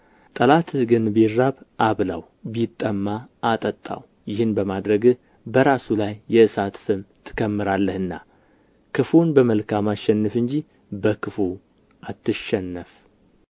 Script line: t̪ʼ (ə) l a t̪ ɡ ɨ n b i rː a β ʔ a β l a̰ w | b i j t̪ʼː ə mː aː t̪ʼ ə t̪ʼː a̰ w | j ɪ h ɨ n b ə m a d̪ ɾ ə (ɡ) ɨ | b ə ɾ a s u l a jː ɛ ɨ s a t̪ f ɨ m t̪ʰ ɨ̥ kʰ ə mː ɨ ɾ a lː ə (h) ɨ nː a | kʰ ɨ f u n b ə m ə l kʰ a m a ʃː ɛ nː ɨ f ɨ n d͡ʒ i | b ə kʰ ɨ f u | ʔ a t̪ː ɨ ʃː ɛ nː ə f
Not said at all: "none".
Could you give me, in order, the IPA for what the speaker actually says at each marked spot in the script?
ə, ɡ, h

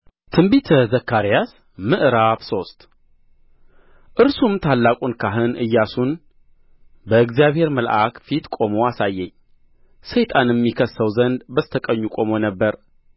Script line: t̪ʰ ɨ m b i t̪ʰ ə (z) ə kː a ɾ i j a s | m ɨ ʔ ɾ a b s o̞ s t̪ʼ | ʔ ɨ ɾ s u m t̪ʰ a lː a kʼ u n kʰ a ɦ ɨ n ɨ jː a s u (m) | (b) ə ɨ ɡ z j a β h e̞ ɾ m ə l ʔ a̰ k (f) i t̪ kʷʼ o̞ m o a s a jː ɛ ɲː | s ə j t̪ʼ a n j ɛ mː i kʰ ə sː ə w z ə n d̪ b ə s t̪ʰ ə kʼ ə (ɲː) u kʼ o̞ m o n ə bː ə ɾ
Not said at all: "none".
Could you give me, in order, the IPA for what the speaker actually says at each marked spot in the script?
z, n, b, f, ɲː

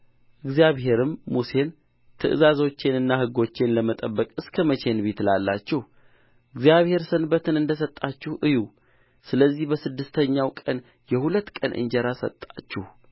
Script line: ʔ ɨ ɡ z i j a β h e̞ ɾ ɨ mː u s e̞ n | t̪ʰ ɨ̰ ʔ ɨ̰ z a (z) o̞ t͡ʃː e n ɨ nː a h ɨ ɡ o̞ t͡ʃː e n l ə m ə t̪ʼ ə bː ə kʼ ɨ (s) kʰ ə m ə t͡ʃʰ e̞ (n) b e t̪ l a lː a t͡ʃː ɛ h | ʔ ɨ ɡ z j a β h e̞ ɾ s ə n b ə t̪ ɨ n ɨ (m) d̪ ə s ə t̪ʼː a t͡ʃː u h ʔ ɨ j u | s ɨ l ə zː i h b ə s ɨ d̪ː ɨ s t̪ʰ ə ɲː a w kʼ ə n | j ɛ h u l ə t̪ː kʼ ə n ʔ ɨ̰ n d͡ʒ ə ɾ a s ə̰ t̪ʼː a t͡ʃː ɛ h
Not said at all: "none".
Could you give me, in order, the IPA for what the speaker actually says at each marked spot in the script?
z, s, n, n

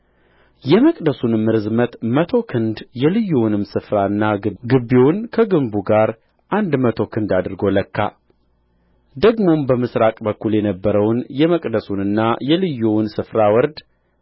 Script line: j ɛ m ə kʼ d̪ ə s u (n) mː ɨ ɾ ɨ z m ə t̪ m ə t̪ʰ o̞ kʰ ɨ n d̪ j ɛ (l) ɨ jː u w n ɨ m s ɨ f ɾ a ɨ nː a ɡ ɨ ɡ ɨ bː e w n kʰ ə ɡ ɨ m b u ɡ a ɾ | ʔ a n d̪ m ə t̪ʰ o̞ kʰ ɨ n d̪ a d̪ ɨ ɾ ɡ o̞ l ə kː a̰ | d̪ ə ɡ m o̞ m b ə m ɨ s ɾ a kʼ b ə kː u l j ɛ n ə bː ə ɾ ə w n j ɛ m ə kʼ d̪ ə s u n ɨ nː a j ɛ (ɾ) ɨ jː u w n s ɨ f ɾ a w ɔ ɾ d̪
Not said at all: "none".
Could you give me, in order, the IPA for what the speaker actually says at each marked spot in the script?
n, l, l

